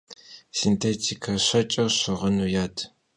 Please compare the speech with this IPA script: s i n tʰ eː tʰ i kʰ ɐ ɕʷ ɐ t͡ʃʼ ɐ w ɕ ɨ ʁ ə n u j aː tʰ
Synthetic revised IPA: s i n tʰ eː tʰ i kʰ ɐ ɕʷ ɐ t͡ʃʼ ɐ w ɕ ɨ ʁ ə n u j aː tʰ